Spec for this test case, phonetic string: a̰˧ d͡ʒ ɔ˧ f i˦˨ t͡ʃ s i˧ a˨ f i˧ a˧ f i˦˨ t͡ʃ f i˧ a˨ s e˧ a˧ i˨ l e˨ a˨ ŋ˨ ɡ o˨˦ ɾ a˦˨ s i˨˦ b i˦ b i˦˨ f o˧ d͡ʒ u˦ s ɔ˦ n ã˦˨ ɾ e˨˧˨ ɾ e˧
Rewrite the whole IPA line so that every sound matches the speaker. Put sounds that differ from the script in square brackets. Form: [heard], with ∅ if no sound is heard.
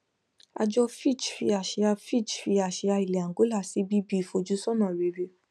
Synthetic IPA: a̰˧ d͡ʒ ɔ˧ f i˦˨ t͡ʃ [f] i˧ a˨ [ʃ] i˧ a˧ f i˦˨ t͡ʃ f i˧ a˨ [ʃ] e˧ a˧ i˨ l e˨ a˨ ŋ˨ ɡ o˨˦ [l] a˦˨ s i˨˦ b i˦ b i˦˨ f o˧ d͡ʒ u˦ s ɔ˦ n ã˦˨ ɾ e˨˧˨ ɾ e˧